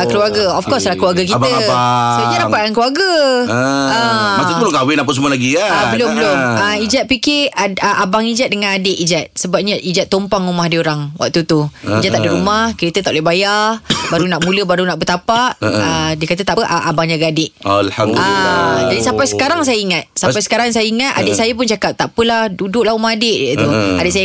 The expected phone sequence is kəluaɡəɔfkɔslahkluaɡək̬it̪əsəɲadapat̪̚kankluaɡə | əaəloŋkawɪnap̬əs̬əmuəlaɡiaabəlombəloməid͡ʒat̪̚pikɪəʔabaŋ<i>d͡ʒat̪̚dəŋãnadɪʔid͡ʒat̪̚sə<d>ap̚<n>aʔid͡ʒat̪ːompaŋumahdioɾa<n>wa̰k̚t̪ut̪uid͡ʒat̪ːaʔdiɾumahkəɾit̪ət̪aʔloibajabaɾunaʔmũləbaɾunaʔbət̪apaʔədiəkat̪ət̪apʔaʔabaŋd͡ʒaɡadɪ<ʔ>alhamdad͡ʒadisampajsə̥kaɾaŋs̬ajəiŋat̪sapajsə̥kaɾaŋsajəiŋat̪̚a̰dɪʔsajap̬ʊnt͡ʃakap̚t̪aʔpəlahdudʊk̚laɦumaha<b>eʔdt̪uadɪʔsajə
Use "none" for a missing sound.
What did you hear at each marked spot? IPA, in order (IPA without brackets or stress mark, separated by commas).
i, b, ɲ, ŋ, ʔ, d